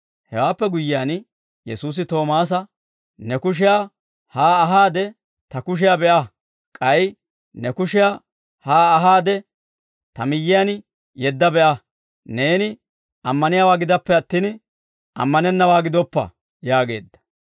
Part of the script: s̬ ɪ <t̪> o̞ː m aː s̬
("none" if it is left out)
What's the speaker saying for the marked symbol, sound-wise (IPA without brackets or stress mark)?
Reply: t̪